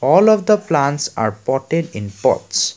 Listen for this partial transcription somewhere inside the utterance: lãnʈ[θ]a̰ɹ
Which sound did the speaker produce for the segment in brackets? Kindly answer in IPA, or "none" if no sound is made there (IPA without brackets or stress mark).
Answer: s